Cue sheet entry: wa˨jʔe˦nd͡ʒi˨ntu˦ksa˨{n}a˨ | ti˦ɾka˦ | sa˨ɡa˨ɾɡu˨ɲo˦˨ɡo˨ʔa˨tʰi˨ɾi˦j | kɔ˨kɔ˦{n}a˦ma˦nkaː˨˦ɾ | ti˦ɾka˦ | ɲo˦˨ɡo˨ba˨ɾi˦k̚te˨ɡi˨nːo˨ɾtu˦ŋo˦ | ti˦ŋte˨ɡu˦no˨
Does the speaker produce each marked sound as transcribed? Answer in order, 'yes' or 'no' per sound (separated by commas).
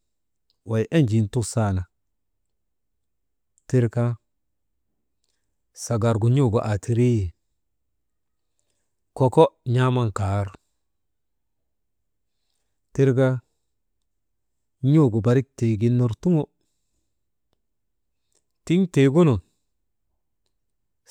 yes, no